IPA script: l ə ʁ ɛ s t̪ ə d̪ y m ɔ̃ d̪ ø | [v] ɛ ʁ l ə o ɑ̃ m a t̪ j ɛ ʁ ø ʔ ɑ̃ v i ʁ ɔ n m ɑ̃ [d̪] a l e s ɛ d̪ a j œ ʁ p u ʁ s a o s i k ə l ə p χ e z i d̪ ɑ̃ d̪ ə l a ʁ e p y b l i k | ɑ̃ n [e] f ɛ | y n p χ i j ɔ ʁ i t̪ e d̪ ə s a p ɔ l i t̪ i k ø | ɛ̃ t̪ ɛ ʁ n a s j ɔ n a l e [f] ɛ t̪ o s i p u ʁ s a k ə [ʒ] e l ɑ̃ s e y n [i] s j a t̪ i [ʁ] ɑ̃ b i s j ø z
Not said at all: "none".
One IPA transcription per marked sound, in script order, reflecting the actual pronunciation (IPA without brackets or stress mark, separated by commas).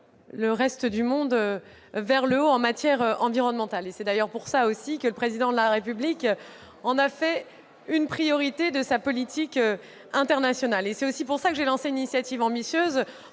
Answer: v, t̪, a, s, ʒ, i, v